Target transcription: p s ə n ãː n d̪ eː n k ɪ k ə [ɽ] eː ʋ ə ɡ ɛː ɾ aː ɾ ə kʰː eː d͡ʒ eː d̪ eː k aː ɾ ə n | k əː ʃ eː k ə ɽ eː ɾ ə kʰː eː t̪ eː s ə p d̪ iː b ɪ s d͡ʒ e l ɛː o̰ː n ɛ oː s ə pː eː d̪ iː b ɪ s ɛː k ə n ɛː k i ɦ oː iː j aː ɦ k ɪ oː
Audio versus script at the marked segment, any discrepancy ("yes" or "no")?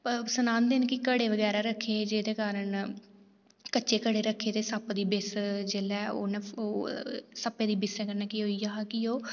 no